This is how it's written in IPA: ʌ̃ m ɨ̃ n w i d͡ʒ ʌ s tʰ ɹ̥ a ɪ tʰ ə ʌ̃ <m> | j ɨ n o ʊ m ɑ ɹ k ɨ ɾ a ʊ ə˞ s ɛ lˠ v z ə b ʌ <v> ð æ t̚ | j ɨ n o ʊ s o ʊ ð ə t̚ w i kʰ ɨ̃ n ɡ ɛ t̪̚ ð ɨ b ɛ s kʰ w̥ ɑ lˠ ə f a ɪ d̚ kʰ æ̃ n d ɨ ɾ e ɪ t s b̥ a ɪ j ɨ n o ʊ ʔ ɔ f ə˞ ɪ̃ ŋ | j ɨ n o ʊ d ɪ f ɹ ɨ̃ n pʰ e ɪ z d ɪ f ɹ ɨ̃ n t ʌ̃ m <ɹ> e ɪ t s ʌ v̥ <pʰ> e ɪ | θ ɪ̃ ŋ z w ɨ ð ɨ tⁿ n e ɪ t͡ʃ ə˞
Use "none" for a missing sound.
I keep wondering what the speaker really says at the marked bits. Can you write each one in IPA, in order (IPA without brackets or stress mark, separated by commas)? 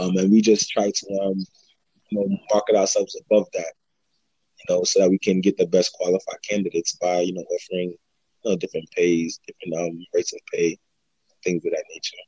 m, v, ɹ, pʰ